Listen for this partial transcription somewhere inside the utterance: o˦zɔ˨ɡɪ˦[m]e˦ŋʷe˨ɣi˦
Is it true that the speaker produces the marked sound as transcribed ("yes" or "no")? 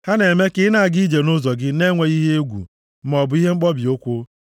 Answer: no